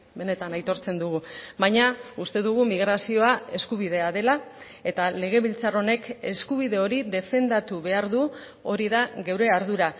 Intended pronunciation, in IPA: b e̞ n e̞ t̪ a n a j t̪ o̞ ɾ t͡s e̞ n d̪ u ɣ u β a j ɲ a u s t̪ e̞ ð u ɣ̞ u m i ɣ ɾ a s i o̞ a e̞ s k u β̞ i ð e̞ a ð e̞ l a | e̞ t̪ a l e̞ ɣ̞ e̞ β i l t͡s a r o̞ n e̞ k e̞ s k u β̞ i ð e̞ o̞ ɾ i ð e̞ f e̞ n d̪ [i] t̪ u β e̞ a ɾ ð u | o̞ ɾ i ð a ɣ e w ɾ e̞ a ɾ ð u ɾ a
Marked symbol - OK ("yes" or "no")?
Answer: no